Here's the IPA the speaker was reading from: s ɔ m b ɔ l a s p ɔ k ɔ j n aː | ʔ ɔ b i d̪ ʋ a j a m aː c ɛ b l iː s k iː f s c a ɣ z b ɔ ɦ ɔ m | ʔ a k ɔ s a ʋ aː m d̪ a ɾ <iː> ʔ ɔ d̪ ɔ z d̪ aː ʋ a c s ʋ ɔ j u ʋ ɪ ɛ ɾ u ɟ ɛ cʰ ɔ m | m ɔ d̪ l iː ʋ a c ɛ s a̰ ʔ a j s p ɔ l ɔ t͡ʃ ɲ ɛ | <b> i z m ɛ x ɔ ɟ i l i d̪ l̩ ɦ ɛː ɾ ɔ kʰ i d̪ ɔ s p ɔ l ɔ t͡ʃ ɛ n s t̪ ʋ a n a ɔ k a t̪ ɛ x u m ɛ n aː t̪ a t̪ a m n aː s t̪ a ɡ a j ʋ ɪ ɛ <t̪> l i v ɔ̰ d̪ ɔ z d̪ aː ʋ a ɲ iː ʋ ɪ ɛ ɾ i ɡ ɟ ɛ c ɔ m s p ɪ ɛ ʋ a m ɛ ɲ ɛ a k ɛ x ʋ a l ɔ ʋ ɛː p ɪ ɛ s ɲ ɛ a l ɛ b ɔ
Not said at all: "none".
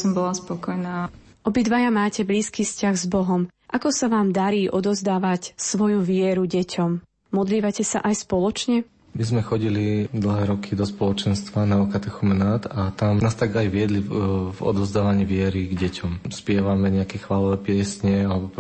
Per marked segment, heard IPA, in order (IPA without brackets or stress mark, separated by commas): iː, m, d̪